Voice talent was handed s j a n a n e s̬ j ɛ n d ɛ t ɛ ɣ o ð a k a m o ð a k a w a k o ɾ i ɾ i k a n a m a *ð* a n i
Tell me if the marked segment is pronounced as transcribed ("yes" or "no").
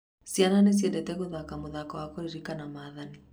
yes